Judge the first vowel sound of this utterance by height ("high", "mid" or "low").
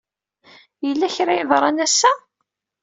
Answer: mid